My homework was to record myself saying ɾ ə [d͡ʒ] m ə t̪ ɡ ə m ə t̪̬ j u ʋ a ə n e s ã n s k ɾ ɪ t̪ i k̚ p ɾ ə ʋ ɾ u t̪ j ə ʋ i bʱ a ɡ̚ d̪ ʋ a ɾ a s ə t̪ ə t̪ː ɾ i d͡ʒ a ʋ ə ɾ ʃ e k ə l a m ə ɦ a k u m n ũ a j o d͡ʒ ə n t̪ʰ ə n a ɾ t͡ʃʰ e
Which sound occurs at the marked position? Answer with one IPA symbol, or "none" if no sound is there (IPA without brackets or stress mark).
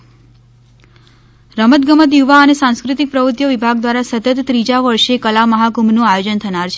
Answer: none